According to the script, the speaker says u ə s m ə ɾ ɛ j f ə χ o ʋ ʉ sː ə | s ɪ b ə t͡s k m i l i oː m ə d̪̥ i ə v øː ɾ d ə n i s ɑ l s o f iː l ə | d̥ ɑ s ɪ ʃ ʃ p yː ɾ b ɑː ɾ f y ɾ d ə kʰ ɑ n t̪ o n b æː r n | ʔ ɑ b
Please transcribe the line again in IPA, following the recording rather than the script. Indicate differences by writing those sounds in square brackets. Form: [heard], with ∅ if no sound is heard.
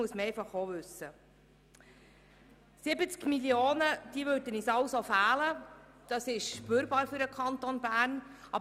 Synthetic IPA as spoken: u ə s m ə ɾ ɛ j f [ɑ] χ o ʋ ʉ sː ə | s ɪ b ə t͡s k m i l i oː [n] ə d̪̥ i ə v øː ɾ d ə n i s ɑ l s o f [æː] l ə | d̥ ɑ s ɪ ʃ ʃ p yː ɾ b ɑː ɾ f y ɾ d ə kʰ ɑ n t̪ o n b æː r n | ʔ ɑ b